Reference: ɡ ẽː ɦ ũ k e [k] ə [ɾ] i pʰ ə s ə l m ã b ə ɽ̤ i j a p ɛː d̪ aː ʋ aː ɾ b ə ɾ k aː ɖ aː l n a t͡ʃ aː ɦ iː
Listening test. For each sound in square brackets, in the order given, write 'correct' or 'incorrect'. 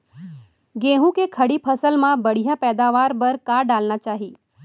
incorrect: kʰ, incorrect: ɽ

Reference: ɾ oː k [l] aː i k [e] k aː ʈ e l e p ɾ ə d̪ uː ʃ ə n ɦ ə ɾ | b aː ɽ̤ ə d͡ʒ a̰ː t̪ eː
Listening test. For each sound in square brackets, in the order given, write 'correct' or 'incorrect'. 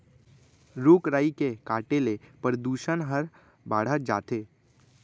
incorrect: ɾ, correct

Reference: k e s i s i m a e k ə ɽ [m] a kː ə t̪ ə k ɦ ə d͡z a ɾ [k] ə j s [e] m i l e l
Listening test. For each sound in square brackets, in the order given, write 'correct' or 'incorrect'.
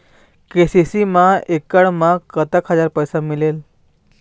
correct, incorrect: p, incorrect: a

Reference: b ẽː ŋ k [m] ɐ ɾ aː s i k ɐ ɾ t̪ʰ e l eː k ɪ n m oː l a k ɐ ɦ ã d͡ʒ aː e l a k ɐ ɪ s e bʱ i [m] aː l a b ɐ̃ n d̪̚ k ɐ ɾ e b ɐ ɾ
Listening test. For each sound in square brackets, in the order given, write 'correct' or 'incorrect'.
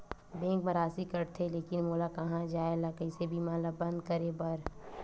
correct, correct

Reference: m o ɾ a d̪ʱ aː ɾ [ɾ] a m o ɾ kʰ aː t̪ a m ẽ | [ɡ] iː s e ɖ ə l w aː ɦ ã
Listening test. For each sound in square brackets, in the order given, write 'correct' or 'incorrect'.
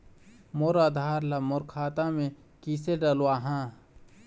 incorrect: l, incorrect: k

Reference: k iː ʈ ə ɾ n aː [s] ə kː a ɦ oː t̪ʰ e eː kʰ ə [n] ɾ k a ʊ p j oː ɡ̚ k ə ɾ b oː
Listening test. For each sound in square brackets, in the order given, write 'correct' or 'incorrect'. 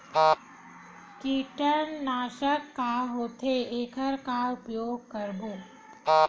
incorrect: ʃ, incorrect: none

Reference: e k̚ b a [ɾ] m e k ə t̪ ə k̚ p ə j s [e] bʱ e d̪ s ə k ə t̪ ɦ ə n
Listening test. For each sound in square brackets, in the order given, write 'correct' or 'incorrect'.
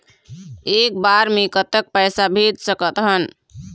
correct, incorrect: a

